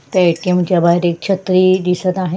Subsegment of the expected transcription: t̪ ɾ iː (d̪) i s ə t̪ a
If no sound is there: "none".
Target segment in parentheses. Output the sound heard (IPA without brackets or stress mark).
d̪